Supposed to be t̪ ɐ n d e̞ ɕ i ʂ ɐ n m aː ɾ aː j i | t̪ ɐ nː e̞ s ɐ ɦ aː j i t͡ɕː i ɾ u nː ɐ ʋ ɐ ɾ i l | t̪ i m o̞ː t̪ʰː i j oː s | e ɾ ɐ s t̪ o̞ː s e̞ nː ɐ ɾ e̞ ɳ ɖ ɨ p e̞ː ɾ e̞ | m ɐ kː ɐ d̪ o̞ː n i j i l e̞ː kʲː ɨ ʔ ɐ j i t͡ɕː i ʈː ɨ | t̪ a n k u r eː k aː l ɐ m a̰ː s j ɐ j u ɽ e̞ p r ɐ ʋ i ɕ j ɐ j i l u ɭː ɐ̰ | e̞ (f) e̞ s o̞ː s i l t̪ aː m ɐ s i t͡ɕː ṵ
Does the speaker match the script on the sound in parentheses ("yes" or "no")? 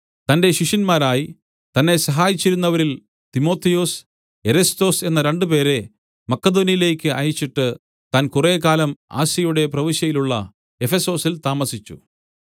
yes